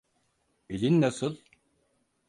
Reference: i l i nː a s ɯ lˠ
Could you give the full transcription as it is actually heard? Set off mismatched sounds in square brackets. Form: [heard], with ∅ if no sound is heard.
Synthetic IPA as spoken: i l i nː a s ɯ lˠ

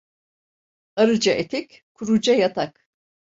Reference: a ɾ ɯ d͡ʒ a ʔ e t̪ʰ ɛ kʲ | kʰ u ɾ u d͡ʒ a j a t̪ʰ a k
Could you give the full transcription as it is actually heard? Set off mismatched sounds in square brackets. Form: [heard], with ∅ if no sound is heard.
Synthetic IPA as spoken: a ɾ ɯ d͡ʒ a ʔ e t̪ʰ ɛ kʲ | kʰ u ɾ u d͡ʒ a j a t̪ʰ a k

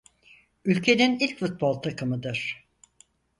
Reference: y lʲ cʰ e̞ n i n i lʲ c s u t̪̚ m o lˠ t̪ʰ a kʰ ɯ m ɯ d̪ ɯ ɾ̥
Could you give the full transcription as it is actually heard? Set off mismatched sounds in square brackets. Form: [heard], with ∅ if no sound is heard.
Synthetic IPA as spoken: y lʲ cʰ e̞ n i n i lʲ c [f] u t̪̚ [b] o lˠ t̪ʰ a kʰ ɯ m ɯ d̪ ɯ ɾ̥

